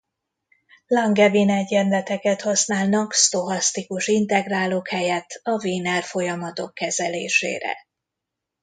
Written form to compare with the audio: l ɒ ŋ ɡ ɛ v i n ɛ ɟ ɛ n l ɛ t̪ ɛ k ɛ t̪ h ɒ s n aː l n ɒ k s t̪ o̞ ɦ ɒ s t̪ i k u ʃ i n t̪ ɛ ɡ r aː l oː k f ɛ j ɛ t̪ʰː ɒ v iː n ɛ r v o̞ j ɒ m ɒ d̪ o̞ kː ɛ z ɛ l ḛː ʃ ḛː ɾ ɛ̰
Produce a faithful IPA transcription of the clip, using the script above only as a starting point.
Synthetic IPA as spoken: l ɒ ŋ ɡ ɛ v i n ɛ ɟ ɛ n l ɛ t̪ ɛ k ɛ t̪ h ɒ s n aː l n ɒ k s t̪ o̞ ɦ ɒ s t̪ i k u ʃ i n t̪ ɛ ɡ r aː l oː k h ɛ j ɛ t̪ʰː ɒ v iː n ɛ r f o̞ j ɒ m ɒ t̪ o̞ kː ɛ z ɛ l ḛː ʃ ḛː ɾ ɛ̰

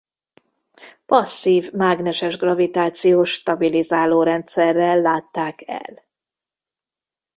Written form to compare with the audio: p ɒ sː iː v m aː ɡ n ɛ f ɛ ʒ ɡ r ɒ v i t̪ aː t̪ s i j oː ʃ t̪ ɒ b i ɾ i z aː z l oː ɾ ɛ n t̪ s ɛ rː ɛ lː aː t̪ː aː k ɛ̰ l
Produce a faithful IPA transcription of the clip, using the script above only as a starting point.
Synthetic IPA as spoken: p ɒ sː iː v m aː ɡ n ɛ ʃ ɛ ʒ ɡ r ɒ v i t̪ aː t̪ s i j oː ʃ t̪ ɒ b i l i z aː l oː ɾ ɛ n t̪ s ɛ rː ɛ lː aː t̪ː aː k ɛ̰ l

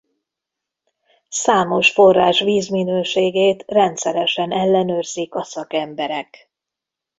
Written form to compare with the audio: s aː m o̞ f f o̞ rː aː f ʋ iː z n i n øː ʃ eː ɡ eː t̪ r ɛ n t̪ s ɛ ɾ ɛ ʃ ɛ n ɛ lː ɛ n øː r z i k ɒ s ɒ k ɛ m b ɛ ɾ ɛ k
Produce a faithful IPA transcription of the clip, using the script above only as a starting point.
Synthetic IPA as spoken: s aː m o̞ ʃ f o̞ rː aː ʃ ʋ iː z m i n øː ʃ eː ɡ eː t̪ r ɛ n t̪ s ɛ ɾ ɛ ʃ ɛ n ɛ lː ɛ n øː r z i k ɒ s ɒ k ɛ m b ɛ ɾ ɛ k

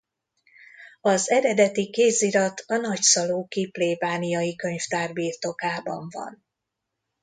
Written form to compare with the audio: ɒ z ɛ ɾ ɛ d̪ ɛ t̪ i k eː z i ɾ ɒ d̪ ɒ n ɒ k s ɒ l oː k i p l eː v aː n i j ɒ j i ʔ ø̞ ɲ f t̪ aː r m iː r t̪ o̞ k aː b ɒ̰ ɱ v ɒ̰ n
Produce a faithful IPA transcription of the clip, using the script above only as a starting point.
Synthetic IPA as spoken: ɒ z ɛ ɾ ɛ d̪ ɛ t̪ i k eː z i ɾ ɒ t̪ ɒ n ɒ c s ɒ l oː k i p l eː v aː n i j ɒ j i k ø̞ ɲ f t̪ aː r b iː r t̪ o̞ k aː b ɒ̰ ɱ v ɒ̰ n

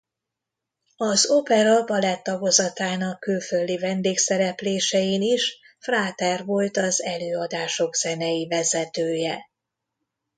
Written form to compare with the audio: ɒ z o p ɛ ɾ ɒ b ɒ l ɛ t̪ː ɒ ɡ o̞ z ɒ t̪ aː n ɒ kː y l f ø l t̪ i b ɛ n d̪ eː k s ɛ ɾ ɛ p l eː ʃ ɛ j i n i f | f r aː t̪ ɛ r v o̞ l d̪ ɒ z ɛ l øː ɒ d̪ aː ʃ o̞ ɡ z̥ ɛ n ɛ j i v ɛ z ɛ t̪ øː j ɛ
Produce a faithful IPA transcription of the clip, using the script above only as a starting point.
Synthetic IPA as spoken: ɒ z o p ɛ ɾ ɒ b ɒ l ɛ t̪ː ɒ ɡ o̞ z ɒ t̪ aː n ɒ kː y l f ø l d̪ i v ɛ n d̪ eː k s ɛ ɾ ɛ p l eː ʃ ɛ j i n i ʃ | f r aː t̪ ɛ r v o̞ l t̪ ɒ z ɛ l øː ɒ d̪ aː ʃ o̞ ɡ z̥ ɛ n ɛ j i v ɛ z ɛ t̪ øː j ɛ

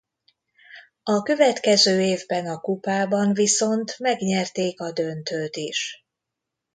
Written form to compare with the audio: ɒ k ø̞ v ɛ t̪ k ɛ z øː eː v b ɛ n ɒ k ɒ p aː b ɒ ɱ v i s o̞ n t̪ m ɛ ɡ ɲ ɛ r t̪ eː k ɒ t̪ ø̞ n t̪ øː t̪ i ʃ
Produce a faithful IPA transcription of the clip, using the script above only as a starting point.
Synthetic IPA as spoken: ɒ k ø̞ v ɛ t̪ k ɛ z øː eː v b ɛ n ɒ k u p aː b ɒ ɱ v i s o̞ n t̪ m ɛ ɡ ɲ ɛ r t̪ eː k ɒ d̪ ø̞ n t̪ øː t̪ i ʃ

